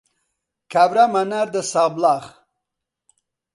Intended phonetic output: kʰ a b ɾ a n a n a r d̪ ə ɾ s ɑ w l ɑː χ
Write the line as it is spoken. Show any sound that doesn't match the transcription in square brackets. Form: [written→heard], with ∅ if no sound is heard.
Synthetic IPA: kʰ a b ɾ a [n→m] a n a [r→ɾ] d̪ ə [ɾ→∅] s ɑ [w→b] l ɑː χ

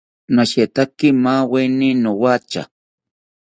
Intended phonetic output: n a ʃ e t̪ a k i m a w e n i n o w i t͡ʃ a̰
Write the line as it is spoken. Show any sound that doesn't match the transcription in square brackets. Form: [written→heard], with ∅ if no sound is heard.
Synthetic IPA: n a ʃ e t̪ a k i m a w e n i n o w [i→a] t͡ʃ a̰

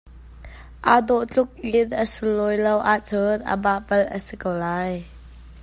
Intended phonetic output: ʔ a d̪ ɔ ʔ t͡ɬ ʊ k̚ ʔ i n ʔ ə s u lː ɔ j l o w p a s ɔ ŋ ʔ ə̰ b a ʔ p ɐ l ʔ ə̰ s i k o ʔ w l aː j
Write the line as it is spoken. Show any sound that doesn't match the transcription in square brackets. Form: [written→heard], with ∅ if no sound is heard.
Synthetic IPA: ʔ a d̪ ɔ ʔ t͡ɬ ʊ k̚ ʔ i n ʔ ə s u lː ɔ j l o w [p→ʔ] a [s→t͡s] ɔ [ŋ→n] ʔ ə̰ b a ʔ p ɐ l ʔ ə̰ s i k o [ʔ→∅] w l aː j

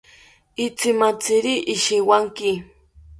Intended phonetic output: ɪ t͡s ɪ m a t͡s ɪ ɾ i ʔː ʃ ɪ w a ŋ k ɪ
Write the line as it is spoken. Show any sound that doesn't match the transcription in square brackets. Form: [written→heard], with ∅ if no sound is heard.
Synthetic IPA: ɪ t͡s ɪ m a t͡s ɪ ɾ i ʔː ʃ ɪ w a ŋ k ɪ

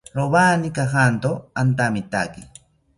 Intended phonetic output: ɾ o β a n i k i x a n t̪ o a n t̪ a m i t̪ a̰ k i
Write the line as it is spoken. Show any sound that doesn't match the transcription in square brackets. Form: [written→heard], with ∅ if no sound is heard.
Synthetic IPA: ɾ o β a n i k [i→a] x a n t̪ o a n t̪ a m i t̪ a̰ k i

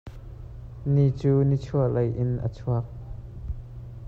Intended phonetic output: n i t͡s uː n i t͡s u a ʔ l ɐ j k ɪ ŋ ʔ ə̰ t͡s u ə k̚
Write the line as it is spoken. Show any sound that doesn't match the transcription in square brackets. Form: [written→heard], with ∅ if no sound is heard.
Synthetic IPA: n i t͡s uː n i [t͡s→t͡sʰ] u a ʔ l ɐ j [k→ʔ] ɪ [ŋ→n] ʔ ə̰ [t͡s→t͡sʰ] u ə k̚

